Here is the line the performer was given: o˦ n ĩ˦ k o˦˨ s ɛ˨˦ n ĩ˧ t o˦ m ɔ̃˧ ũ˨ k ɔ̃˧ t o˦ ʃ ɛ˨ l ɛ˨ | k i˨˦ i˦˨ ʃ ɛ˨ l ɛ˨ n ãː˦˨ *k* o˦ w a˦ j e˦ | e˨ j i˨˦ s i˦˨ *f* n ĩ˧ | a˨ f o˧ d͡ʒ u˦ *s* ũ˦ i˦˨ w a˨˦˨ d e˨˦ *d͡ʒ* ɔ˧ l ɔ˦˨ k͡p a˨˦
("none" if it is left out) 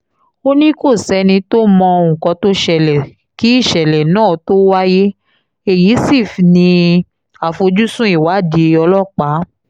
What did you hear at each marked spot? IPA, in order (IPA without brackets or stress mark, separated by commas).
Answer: t, f, s, none